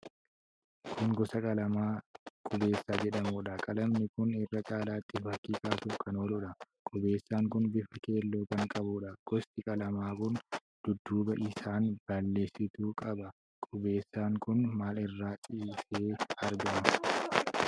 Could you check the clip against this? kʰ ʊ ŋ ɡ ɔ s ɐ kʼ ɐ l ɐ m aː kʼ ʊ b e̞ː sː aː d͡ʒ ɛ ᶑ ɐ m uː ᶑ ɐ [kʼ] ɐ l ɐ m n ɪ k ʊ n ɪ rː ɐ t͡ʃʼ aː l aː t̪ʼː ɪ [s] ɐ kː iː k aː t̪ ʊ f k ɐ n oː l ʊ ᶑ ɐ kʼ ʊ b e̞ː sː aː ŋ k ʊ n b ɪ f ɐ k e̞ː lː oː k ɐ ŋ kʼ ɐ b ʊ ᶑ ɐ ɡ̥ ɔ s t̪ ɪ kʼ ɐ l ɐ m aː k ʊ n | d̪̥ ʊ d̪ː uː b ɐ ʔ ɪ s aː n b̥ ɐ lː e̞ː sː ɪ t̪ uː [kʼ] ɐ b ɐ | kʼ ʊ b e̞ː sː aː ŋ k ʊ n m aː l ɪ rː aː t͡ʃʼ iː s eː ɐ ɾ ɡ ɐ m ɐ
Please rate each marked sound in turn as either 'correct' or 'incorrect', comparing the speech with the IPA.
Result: correct, incorrect, correct

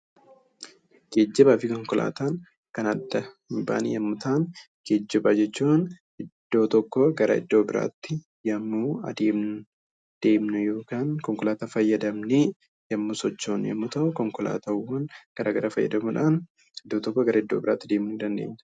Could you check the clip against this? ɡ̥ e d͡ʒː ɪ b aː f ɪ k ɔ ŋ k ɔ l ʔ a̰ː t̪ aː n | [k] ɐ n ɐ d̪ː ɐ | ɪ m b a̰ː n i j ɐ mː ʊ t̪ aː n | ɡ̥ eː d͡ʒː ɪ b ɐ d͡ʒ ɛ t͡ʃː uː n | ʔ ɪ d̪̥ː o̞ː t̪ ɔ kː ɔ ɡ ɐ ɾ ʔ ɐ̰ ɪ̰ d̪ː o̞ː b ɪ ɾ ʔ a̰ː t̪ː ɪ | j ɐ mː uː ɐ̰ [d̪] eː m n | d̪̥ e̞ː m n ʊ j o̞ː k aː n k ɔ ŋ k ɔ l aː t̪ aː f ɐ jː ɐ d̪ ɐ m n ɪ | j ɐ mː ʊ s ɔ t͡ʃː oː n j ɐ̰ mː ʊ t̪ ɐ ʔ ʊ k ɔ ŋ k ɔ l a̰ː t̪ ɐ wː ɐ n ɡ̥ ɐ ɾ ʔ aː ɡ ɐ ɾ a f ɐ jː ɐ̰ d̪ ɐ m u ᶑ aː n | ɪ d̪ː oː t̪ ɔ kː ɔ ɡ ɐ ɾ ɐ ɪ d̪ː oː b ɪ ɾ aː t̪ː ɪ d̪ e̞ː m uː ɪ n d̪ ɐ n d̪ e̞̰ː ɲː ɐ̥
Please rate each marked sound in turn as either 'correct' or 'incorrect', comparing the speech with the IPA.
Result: correct, correct

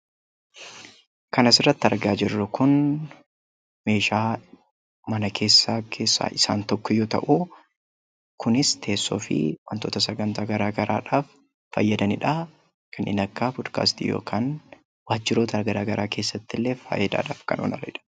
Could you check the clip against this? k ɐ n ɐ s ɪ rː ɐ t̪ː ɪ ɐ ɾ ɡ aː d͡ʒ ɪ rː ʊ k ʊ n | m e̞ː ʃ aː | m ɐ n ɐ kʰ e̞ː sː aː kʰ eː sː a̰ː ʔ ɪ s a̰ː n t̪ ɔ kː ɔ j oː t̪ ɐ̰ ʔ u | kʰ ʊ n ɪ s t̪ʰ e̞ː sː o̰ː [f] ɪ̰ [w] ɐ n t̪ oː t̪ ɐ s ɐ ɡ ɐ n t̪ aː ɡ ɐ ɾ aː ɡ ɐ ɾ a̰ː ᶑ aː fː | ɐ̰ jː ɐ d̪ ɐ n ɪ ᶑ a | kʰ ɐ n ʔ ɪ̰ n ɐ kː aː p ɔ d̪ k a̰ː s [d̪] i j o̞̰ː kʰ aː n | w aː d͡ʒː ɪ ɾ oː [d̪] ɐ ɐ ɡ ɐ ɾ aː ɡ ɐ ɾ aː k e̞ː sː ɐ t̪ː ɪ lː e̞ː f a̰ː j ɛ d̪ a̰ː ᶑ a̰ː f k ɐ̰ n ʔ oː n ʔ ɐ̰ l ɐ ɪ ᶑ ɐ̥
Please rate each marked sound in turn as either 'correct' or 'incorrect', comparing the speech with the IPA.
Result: correct, correct, incorrect, incorrect

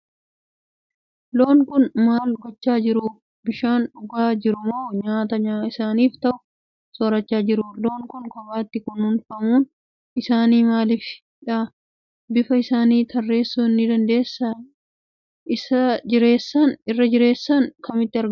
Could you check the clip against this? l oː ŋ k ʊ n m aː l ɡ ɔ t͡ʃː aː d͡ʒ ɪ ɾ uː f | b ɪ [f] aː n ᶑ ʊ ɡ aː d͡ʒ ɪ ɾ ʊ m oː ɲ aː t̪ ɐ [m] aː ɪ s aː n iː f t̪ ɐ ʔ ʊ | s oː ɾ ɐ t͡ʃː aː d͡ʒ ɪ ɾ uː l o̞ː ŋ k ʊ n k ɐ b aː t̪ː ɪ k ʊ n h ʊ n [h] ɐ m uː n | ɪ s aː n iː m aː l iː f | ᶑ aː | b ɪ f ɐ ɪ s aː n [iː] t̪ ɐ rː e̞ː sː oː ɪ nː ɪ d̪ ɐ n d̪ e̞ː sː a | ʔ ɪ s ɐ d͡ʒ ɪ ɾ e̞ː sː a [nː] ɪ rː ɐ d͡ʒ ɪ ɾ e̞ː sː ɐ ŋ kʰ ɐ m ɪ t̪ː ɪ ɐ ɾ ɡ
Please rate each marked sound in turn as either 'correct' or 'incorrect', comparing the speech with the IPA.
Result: incorrect, incorrect, incorrect, correct, incorrect

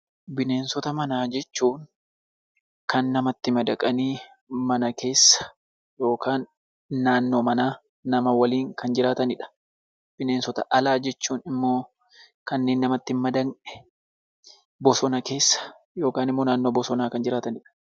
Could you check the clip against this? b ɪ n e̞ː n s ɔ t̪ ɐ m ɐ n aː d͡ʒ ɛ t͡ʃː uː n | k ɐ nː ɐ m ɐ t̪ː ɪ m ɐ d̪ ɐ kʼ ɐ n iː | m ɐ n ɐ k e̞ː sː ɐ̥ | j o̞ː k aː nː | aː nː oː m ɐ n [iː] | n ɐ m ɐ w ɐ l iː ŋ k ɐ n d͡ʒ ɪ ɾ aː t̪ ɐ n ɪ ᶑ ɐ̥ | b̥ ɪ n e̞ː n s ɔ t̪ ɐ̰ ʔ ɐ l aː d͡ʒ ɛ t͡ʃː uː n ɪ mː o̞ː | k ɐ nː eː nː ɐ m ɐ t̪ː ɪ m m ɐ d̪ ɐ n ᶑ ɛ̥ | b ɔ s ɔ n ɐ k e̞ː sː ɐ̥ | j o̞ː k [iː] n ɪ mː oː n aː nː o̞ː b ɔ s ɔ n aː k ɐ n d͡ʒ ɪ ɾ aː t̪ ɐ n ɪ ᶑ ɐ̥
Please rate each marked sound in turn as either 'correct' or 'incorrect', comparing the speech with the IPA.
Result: incorrect, incorrect

